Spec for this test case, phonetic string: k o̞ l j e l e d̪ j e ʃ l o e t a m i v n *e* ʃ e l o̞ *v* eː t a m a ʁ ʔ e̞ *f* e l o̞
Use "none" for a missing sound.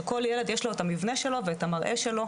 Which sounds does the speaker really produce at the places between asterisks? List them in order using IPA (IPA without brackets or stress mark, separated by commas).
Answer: e, v, ʃ